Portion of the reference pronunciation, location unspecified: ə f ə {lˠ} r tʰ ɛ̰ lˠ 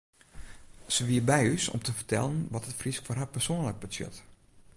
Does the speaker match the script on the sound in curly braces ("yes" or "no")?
no